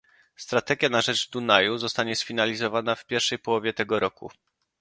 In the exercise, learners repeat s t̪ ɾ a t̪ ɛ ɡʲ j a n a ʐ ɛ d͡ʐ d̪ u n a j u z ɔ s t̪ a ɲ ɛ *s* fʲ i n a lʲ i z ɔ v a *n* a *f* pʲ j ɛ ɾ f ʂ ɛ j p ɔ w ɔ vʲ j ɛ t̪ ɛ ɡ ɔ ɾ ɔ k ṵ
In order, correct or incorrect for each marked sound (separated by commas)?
correct, correct, correct